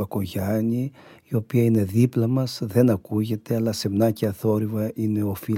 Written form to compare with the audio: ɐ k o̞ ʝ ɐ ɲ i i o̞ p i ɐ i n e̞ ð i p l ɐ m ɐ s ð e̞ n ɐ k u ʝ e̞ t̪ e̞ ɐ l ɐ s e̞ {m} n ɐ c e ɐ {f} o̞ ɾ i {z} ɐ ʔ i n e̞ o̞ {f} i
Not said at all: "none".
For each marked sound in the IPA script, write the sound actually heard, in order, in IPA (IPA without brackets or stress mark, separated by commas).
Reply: m, θ, v, f